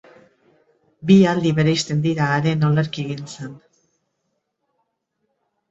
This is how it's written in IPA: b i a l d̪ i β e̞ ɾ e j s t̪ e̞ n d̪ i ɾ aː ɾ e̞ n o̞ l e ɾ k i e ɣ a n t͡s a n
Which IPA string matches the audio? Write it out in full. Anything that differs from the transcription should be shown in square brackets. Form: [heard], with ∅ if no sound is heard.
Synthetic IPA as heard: b i a l d̪ i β e̞ ɾ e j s t̪ e̞ n d̪ i ɾ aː ɾ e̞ n o̞ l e ɾ k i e ɣ [i] n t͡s [e] n